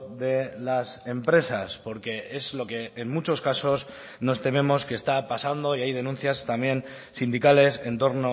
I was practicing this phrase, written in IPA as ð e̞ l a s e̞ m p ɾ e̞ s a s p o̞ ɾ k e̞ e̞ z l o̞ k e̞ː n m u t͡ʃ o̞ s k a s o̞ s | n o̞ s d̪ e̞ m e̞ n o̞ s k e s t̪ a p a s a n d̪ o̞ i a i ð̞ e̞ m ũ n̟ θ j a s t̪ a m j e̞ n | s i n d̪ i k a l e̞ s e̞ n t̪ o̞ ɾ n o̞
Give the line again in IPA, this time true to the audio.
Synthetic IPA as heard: ð e̞ l a s e̞ m p ɾ e̞ s a s p o̞ ɾ k e̞ e̞ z l o̞ k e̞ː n m u t͡ʃ o̞ s k a s o̞ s | n o̞ s t̪ e̞ m e̞ m o̞ s k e s t̪ a p a s a n d̪ o̞ i a j ð̞ e̞ n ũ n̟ θ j a s t̪ a m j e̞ n | s i n d̪ i k a l e̞ s e̞ n t̪ o̞ ɾ n o̞

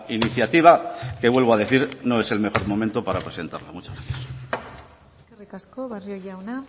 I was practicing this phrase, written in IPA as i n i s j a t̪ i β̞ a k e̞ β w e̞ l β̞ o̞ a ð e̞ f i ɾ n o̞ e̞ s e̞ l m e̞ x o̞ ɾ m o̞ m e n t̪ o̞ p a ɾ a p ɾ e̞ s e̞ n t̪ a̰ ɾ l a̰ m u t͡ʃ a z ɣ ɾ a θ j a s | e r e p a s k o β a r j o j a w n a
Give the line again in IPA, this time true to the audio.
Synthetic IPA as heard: i n i θ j a t̪ i β̞ a k e̞ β w e̞ l β̞ o̞ a ð e̞ θ i ɾ n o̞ e̞ s e̞ l m e̞ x o̞ ɾ m o̞ m e n t̪ o̞ p a ɾ a p ɾ e̞ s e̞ n t̪ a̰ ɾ l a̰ m u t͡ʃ a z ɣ ɾ a θ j a s | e r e k a s k o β a r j o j a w n a

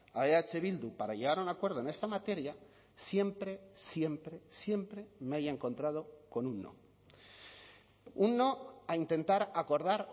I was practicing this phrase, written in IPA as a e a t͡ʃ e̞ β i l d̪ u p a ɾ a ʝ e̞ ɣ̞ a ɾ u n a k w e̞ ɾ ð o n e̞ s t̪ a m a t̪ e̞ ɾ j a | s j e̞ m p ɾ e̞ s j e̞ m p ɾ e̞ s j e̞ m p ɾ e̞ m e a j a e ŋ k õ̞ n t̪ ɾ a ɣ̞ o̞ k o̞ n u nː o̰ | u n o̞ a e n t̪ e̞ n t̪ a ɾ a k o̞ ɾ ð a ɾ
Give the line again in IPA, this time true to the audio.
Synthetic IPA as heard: a e a t͡ʃ e̞ β i l d̪ u p a ɾ a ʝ e̞ ɣ̞ a ɾ u n a k w e̞ ɾ ð o n e̞ s t̪ a m a t̪ e̞ ɾ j a | s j e̞ m p ɾ e̞ s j e̞ m p ɾ e̞ s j e̞ m p ɾ e̞ m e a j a e ŋ k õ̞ n t̪ ɾ a ð̞ o̞ k o̞ n u nː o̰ | u nː o̞ a i n t̪ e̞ n t̪ a ɾ a k o̞ ɾ ð a ɾ

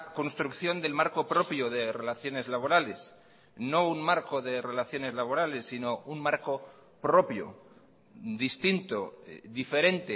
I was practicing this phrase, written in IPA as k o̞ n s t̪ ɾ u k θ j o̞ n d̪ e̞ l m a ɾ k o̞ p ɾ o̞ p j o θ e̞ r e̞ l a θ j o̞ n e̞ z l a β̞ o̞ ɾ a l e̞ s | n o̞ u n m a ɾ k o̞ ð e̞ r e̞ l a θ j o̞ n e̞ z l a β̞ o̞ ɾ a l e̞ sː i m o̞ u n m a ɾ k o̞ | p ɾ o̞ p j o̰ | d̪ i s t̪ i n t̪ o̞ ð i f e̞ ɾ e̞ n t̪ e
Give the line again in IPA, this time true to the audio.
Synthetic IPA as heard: k o̞ n s t̪ ɾ u k θ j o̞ n d̪ e̞ l m a ɾ k o̞ p ɾ o̞ p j o ð e̞ r e̞ l a θ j o̞ n e̞ z l a β̞ o̞ ɾ a l e̞ s | n o̞ u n m a ɾ k o̞ ð e̞ r e̞ l a θ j o̞ n e̞ z l a β̞ o̞ ɾ a l e̞ sː i n o̞ u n m a ɾ k o̞ | p ɾ o̞ p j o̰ | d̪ i s t̪ i n t̪ o̞ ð i f e̞ ɾ e̞ n t̪ e

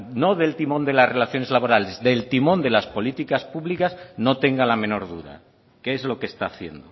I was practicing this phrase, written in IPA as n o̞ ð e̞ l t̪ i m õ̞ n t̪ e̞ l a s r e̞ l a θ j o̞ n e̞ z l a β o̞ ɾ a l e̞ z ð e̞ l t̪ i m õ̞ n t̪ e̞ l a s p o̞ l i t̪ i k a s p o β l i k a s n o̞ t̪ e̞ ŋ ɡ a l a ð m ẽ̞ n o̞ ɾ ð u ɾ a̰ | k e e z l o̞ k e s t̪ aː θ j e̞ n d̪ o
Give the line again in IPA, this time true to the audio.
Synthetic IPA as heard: n o̞ ð e̞ l t̪ i m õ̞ n d̪ e̞ l a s r e̞ l a θ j o̞ n e̞ z l a β o̞ ɾ a l e̞ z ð e̞ l t̪ i m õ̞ n d̪ e̞ l a s p o̞ l i t̪ i k a s p u β l i k a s n o̞ t̪ e̞ ŋ ɡ a l a m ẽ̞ n o̞ ɾ ð u ɾ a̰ | k e e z l o̞ k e s t̪ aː θ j e̞ n d̪ o

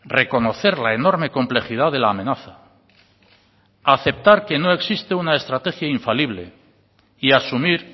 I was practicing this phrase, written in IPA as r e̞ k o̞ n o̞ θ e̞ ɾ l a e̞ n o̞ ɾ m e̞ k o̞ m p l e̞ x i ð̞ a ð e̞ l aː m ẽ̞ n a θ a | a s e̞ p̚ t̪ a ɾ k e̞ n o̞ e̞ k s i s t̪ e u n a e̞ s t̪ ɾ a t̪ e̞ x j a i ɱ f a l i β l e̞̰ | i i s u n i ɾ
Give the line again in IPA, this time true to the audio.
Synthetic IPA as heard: r e̞ k o̞ n o̞ θ e̞ ɾ l a e̞ n o̞ ɾ m e̞ k o̞ m p l e̞ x i ð̞ a ð e̞ l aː m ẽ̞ n a θ a | a θ e̞ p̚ t̪ a ɾ k e̞ n o̞ e̞ k s i s t̪ e u n a e̞ s t̪ ɾ a t̪ e̞ x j a i ɱ f a l i β l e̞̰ | i a s u m i ɾ

